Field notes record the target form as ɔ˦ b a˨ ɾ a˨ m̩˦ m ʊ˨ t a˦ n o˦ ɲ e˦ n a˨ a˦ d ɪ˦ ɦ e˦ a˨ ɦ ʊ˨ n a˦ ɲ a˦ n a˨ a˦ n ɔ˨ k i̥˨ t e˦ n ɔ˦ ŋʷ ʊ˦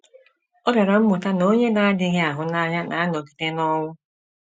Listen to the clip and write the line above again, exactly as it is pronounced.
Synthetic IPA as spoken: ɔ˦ b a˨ ɾ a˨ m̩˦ m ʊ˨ t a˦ n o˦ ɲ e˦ n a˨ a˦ d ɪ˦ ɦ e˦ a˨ ɦ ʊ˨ n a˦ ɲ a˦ n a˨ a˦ n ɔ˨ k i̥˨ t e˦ n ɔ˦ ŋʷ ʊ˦